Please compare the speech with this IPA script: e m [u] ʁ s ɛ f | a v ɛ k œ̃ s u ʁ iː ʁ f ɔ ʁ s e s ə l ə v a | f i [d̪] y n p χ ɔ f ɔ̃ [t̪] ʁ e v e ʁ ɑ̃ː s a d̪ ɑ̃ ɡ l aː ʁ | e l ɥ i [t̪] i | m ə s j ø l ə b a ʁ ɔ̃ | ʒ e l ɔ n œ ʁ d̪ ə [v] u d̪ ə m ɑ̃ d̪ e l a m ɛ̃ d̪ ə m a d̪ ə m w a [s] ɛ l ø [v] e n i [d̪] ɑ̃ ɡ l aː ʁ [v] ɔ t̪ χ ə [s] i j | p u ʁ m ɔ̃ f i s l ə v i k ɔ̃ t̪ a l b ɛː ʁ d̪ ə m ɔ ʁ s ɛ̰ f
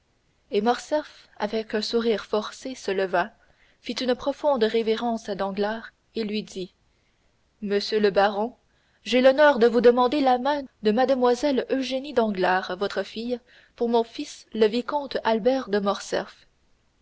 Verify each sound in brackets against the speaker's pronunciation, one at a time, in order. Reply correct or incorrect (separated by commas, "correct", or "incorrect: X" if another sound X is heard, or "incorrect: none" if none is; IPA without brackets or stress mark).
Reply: incorrect: ɔ, incorrect: t̪, incorrect: d̪, incorrect: d̪, correct, incorrect: z, incorrect: ʒ, correct, correct, incorrect: f